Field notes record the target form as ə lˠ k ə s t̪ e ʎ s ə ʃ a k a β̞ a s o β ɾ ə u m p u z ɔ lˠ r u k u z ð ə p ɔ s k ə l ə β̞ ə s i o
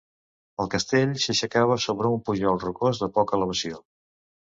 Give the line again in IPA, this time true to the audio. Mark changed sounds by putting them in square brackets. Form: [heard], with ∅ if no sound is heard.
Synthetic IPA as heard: ə lˠ k ə s t̪ e ʎ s ə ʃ [ə] k a β̞ [ə] s o β ɾ ə u m p u [ʒ] ɔ lˠ r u k [o] z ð ə p ɔ [∅] k ə l ə β̞ ə s i o